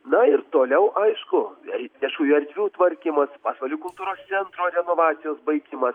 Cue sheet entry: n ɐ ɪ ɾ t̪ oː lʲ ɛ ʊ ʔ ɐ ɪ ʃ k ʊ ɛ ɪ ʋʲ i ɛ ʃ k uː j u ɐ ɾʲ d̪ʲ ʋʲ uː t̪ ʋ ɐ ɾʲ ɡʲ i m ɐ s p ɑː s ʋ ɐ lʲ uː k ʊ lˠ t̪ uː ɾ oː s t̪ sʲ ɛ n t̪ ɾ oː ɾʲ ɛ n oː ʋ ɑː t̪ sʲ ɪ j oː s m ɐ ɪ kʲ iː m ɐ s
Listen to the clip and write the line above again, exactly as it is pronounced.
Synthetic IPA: n ɐ ɪ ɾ t̪ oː lʲ ɛ ʊ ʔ ɐ ɪ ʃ k ʊ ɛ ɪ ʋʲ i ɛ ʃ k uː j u ɐ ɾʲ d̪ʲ ʋʲ uː t̪ ʋ ɐ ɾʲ kʲ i m ɐ s p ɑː s ʋ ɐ lʲ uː k ʊ lˠ t̪ uː ɾ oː s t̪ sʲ ɛ n t̪ ɾ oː ɾʲ ɛ n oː ʋ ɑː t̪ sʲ ɪ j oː s b ɐ ɪ kʲ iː m ɐ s